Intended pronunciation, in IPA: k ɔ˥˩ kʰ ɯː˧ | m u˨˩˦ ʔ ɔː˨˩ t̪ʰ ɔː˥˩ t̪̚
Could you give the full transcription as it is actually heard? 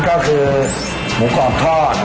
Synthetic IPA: k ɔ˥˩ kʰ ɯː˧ | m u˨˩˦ k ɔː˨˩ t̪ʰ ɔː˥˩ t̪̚